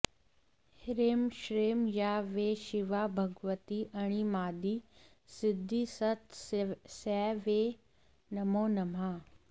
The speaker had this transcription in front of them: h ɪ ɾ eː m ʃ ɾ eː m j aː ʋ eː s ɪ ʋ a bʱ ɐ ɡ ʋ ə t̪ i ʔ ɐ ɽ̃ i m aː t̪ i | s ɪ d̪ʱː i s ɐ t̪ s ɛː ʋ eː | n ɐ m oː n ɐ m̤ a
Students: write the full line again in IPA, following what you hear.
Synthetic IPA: h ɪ ɾ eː m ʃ ɾ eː m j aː ʋ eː ʃ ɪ ʋ a bʱ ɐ ɡ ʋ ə t̪ i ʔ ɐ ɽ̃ i m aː d̪ i | s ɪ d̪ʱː i s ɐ t̪ s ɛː ʋ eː | n ɐ m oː n ɐ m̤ a

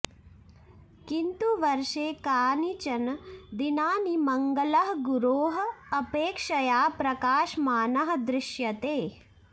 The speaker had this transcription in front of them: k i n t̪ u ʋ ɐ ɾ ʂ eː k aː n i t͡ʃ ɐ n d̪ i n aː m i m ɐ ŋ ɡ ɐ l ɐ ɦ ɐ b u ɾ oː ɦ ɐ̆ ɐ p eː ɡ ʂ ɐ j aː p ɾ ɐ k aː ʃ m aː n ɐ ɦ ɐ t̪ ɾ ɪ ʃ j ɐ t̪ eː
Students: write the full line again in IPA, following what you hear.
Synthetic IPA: k i n t̪ u ʋ ɐ ɾ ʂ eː k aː n i t͡ʃ ɐ n d̪ i n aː n i m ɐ ŋ ɡ ɐ l ɐ ɦ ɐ ɡ u ɾ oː ɦ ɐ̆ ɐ p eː k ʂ ɐ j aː p ɾ ɐ k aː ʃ m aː n ɐ ɦ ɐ d̪ ɾ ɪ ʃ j ɐ t̪ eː

